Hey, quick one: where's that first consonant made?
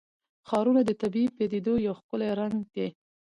velum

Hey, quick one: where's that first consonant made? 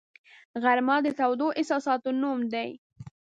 velum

